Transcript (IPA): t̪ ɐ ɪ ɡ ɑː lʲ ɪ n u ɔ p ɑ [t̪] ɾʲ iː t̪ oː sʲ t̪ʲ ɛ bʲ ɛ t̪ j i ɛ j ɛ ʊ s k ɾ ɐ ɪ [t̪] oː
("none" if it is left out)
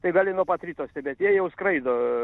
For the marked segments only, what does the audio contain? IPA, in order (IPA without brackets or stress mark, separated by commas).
t̪, d̪